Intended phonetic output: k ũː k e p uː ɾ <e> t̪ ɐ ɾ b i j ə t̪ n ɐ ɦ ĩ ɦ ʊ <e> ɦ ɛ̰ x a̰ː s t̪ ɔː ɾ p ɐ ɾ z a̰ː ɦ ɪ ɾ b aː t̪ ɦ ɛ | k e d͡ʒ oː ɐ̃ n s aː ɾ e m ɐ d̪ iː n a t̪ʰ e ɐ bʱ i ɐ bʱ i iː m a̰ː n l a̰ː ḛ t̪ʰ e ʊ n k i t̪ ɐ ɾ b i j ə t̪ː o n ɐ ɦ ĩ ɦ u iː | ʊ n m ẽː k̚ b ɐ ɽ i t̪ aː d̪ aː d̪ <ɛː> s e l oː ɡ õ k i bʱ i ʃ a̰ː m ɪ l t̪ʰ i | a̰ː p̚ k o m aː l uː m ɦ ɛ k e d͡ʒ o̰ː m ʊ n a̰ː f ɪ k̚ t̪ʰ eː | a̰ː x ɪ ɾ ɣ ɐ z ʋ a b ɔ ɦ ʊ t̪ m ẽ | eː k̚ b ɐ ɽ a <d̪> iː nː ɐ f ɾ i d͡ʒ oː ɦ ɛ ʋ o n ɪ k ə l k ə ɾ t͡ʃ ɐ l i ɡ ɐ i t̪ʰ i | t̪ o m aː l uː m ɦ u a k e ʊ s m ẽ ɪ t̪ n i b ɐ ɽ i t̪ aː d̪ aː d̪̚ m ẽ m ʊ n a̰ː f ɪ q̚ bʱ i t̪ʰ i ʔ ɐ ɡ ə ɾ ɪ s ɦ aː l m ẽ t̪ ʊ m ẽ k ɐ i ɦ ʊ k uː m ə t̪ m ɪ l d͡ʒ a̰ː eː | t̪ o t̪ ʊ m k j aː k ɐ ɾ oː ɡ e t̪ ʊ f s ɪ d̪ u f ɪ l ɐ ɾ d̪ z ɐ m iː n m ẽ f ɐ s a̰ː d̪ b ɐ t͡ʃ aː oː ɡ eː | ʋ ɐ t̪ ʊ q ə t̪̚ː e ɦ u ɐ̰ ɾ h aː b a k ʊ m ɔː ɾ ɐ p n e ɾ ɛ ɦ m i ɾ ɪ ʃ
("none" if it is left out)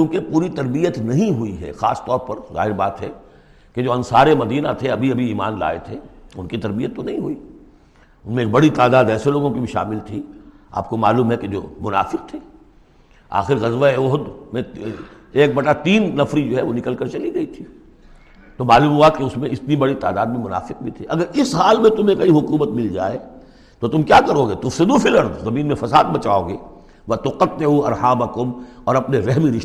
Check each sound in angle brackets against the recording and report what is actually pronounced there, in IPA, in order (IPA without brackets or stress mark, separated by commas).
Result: i, i, ɛː, t̪